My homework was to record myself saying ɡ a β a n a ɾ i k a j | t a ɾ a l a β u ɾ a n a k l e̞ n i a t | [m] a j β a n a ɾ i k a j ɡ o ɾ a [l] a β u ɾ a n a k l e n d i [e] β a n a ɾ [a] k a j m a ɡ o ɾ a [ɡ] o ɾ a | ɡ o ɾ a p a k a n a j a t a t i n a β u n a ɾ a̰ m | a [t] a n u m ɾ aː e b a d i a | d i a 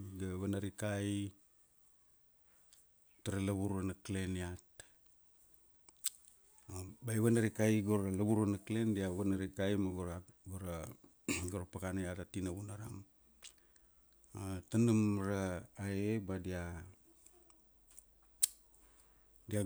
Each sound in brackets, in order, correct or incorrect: incorrect: b, correct, incorrect: a, incorrect: i, correct, correct

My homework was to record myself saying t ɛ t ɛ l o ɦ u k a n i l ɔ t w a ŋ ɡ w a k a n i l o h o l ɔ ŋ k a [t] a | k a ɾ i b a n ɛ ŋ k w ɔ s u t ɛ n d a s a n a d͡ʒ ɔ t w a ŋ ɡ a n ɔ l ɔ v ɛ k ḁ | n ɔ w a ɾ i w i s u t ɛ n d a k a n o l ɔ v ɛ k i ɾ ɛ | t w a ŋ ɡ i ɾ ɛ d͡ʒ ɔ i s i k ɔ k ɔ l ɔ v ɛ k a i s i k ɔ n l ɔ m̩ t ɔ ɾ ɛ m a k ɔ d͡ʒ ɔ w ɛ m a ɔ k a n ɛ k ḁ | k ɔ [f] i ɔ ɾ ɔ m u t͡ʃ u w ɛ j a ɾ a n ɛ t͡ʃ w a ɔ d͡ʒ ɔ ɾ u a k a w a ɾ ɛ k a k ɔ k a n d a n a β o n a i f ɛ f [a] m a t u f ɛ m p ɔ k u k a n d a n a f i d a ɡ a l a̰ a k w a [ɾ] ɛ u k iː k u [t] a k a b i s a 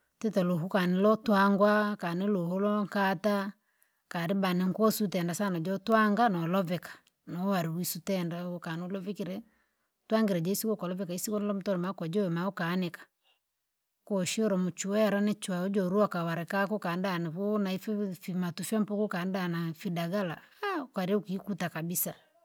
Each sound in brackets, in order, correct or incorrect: correct, incorrect: ʃ, incorrect: i, correct, correct

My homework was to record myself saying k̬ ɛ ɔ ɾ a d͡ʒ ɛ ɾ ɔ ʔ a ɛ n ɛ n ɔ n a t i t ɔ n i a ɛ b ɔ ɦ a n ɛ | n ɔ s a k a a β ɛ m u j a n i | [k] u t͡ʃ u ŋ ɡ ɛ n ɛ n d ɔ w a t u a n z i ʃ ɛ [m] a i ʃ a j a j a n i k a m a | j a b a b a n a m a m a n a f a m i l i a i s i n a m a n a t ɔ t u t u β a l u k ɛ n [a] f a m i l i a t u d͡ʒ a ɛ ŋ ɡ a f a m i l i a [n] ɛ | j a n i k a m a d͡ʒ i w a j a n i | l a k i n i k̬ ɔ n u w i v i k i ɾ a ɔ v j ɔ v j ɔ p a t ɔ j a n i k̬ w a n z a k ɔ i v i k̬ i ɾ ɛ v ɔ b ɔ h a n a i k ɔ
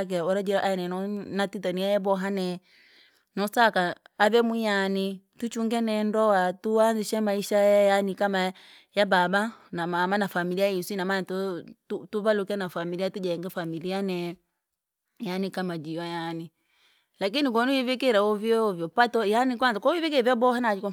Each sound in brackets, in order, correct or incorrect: incorrect: t, correct, correct, correct

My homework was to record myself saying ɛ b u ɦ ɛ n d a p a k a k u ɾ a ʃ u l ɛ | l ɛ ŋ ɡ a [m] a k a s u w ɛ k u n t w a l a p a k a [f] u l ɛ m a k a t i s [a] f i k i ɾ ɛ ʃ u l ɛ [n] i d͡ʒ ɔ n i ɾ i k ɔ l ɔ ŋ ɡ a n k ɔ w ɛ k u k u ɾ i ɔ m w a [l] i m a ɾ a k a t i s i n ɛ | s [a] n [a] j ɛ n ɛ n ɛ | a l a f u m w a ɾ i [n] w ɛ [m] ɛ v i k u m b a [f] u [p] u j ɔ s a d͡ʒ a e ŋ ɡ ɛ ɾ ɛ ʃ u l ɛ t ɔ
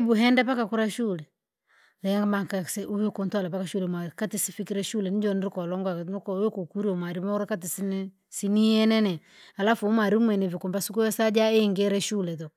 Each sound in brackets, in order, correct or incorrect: correct, incorrect: ʃ, incorrect: i, correct, incorrect: ɾ, incorrect: i, incorrect: i, incorrect: m, incorrect: n, incorrect: s, incorrect: k

